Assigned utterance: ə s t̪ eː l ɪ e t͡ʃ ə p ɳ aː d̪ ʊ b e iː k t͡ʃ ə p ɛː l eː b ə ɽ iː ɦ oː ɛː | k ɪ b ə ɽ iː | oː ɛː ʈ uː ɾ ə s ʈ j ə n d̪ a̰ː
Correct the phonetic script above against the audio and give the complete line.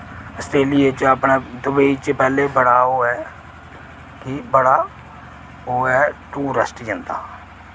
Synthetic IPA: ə s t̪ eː l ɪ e t͡ʃ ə p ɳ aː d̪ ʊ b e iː t͡ʃ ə p ɛː l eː b ə ɽ aː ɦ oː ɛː | k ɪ b ə ɽ aː | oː ɛː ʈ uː ɾ ə s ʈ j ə n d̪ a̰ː